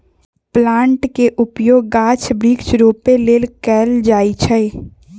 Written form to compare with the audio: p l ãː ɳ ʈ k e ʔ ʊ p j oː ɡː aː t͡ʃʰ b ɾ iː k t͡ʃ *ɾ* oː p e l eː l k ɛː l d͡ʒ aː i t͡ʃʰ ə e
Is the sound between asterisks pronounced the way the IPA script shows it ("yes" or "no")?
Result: yes